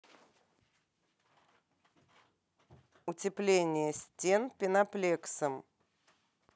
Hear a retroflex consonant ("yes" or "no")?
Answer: no